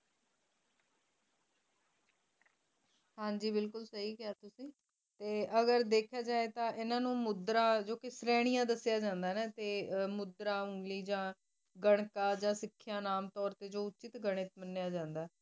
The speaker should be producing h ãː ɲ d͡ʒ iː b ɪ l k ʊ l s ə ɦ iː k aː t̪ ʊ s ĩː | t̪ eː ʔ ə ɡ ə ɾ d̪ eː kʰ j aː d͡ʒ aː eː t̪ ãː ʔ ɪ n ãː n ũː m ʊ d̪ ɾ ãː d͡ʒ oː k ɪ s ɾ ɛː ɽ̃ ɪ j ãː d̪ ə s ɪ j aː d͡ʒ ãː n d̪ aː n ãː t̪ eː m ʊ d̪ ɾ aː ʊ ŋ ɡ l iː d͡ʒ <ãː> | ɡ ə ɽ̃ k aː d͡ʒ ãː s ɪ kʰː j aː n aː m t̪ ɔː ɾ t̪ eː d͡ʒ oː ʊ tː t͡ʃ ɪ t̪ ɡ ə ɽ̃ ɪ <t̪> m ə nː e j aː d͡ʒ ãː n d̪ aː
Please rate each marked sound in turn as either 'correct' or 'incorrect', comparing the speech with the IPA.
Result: correct, correct

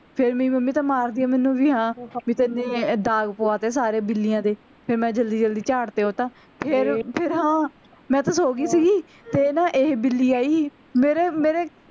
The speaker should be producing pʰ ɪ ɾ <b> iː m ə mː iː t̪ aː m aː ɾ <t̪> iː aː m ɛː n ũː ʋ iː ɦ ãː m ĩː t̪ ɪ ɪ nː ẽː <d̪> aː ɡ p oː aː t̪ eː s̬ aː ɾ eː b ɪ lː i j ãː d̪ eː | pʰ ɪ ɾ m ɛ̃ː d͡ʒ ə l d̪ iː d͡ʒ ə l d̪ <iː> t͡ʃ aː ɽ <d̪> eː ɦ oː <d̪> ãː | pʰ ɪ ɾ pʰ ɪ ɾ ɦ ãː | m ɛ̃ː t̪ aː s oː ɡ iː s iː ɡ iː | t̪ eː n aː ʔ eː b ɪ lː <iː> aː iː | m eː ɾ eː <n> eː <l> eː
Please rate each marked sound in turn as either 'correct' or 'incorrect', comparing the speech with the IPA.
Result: incorrect, incorrect, correct, correct, incorrect, incorrect, correct, incorrect, incorrect

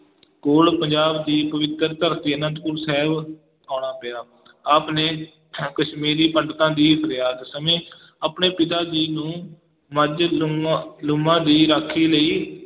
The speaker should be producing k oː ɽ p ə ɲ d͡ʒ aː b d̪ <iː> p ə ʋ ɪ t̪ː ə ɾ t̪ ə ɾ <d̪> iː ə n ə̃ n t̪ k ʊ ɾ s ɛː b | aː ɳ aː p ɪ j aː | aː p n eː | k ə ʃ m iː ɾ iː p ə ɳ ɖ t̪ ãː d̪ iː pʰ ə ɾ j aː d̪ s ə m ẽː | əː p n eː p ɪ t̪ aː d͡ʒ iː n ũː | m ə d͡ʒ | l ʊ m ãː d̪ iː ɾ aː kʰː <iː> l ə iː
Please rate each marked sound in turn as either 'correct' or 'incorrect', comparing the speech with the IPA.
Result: correct, incorrect, correct

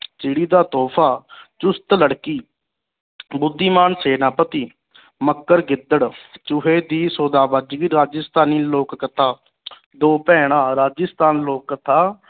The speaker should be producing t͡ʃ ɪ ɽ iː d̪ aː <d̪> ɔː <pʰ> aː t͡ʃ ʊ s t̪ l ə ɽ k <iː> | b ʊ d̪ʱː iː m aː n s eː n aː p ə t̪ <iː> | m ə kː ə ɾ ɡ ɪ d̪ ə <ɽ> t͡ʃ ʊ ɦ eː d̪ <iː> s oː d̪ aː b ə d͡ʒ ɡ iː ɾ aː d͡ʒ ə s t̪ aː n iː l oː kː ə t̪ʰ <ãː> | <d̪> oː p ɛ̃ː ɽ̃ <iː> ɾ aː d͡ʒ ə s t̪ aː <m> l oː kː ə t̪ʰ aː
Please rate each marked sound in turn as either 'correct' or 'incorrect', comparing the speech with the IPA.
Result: incorrect, correct, correct, correct, correct, correct, incorrect, correct, incorrect, incorrect

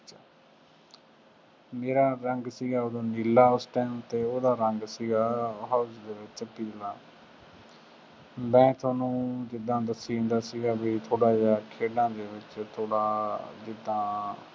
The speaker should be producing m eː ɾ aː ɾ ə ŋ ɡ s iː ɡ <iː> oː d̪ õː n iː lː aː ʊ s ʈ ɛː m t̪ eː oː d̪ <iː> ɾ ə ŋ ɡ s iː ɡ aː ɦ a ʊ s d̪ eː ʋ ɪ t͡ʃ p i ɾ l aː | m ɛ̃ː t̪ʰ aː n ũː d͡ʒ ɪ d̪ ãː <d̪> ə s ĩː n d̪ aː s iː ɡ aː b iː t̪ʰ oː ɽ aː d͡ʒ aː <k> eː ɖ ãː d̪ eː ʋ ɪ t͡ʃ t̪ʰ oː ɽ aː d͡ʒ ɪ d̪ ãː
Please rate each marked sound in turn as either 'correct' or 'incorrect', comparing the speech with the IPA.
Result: incorrect, incorrect, correct, incorrect

